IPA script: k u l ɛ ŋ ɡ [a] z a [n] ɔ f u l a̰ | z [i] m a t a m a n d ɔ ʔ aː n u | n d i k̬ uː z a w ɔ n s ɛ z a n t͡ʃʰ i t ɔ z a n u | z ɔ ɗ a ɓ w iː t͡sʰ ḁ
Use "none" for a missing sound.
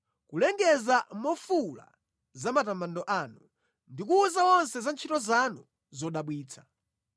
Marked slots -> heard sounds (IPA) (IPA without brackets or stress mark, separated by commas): ɛ, m, a